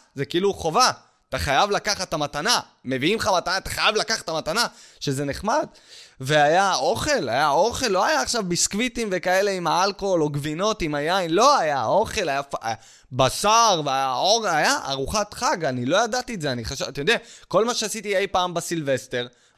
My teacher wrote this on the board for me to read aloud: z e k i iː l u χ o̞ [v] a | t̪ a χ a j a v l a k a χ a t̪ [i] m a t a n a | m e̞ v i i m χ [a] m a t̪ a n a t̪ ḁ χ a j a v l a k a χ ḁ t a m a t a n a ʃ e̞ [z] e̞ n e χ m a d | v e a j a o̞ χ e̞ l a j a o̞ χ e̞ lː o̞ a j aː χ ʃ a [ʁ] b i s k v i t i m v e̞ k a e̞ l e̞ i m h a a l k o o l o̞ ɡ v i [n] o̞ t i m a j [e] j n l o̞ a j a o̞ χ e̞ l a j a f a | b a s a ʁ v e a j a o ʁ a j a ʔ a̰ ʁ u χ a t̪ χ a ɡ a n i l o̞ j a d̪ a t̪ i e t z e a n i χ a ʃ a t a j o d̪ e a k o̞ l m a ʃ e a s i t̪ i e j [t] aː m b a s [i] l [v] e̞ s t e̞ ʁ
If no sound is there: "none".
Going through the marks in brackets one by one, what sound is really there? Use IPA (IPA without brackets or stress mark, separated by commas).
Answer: v, a, a, z, v, n, a, p, i, v